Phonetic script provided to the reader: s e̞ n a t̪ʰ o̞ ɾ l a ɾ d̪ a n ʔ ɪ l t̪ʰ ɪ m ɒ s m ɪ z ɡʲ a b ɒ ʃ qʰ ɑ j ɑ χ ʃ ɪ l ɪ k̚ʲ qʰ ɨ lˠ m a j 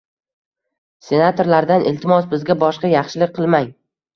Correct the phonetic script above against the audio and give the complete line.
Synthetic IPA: s e̞ n a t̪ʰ o̞ ɾ l a ɾ d̪ a n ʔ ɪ l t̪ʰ ɪ m ɒ s b ɪ z ɡʲ a b ɒ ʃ q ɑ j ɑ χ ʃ ɪ l ɪ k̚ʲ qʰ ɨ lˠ m a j